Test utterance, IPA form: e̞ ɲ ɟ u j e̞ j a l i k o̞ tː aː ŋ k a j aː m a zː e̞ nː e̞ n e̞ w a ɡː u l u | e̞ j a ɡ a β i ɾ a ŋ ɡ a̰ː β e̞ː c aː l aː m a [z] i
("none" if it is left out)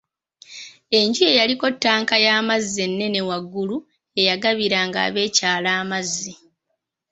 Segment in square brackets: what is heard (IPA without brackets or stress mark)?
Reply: zː